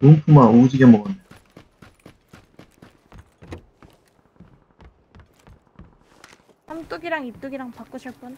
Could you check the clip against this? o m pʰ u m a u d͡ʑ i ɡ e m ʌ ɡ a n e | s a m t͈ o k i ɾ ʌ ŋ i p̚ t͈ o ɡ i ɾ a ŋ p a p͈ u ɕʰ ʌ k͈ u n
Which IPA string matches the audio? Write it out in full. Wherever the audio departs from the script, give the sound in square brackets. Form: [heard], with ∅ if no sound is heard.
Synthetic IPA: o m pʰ u m a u d͡ʑ i ɡ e m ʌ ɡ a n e | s a m t͈ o [ɡ] i ɾ [a] ŋ i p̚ t͈ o ɡ i ɾ a ŋ p a [k͈] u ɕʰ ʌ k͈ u n